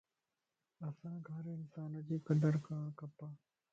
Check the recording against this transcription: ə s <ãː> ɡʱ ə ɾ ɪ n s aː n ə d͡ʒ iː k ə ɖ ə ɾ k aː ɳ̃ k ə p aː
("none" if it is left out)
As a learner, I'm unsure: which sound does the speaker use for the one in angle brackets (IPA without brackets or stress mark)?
ãː